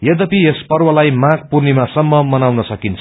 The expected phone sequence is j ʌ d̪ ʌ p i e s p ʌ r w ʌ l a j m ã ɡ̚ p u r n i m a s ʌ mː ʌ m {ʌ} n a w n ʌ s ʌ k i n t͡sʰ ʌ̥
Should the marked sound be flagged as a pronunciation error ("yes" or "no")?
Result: no